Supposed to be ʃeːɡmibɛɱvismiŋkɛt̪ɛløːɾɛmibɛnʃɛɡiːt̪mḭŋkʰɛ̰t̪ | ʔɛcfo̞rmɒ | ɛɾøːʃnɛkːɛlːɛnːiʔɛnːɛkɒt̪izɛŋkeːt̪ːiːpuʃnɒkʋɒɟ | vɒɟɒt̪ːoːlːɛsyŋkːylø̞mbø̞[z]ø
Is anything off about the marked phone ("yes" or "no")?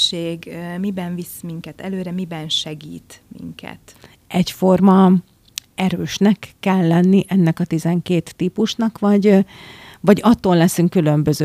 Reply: no